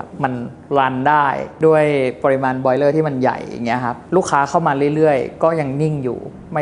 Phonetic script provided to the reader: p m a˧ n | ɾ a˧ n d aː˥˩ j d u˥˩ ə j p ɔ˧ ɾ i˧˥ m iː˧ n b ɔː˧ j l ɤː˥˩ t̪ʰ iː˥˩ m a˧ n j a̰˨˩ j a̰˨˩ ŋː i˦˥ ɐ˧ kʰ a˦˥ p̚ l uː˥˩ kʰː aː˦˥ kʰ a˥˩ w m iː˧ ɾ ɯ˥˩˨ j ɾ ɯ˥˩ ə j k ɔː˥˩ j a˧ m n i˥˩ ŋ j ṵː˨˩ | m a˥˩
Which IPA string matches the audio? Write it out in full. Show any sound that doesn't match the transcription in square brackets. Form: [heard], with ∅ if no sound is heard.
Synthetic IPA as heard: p m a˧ n | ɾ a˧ n d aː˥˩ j d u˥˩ ə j p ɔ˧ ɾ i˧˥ m [aː˧] n b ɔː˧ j l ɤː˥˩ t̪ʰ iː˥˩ m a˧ n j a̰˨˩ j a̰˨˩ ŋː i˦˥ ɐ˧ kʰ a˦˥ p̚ l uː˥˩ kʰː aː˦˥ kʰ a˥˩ w m [aː˧] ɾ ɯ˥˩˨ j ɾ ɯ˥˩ ə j k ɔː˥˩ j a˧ [ŋ] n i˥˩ ŋ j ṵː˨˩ | m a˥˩

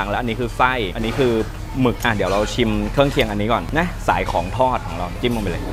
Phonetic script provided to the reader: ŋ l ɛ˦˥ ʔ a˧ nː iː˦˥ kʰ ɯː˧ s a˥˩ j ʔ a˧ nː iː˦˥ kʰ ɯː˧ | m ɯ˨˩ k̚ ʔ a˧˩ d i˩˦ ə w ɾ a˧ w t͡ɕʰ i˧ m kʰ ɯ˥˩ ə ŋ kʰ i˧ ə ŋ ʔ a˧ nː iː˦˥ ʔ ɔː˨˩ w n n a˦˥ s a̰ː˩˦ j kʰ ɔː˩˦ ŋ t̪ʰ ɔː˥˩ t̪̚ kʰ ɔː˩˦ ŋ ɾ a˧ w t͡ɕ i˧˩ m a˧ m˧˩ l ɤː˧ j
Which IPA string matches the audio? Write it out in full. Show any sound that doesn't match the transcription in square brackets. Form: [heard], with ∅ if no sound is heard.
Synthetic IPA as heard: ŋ l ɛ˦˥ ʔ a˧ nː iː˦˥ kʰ ɯː˧ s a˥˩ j ʔ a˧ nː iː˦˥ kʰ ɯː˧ | m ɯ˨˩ k̚ ʔ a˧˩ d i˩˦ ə w ɾ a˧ w t͡ɕʰ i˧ m kʰ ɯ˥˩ ə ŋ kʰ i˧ ə ŋ ʔ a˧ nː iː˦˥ [k] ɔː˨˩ [∅] n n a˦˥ s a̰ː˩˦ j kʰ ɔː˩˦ ŋ t̪ʰ ɔː˥˩ t̪̚ kʰ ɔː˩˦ ŋ ɾ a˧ w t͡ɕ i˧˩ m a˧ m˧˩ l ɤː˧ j

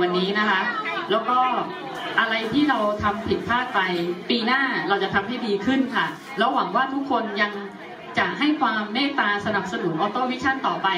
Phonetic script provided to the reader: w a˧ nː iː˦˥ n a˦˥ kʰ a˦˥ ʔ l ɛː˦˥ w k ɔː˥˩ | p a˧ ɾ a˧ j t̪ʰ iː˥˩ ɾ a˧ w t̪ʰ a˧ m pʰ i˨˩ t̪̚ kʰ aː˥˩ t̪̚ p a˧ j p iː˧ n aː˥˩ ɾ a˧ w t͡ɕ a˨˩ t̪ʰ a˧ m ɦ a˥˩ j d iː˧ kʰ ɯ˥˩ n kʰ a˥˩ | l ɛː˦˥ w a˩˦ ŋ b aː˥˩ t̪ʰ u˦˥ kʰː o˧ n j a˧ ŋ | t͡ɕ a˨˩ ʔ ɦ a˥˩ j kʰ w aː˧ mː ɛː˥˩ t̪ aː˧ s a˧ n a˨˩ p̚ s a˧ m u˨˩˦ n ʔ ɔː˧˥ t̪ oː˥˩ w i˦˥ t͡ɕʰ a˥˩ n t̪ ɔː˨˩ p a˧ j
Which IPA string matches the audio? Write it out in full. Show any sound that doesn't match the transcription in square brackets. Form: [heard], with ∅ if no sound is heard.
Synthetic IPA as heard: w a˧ nː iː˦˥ n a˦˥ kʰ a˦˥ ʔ l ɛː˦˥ w k ɔː˥˩ | [ʔ] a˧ ɾ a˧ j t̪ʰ iː˥˩ ɾ a˧ w t̪ʰ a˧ m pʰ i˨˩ t̪̚ [pʰ] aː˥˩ t̪̚ p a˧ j p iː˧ n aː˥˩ ɾ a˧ w t͡ɕ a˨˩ t̪ʰ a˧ m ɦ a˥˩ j d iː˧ kʰ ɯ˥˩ n kʰ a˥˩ | l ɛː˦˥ w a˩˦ ŋ [w] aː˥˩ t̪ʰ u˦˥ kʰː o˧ n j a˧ ŋ | t͡ɕ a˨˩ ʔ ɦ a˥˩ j kʰ w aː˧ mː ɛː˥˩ t̪ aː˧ s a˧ n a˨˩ p̚ s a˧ [n] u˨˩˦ n ʔ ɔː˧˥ t̪ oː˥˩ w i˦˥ t͡ɕʰ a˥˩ n t̪ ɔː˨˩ p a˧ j

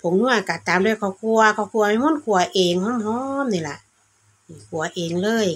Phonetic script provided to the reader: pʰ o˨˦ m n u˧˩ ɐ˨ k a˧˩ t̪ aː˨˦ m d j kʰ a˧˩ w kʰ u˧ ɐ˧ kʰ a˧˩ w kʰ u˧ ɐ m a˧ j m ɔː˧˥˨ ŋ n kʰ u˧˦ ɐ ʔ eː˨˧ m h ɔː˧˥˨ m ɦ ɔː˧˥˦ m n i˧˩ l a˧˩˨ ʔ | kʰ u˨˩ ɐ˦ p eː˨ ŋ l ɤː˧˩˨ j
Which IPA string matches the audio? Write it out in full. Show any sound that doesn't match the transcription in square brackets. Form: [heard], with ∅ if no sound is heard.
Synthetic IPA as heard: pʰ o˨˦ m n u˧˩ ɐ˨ k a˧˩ t̪ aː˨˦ m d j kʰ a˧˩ w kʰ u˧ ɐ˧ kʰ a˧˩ w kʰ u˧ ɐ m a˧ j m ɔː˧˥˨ [∅] n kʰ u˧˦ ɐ ʔ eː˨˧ [ŋ] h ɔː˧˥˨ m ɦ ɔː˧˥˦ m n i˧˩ l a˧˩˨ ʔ | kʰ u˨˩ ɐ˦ [ʔ] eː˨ ŋ l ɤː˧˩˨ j

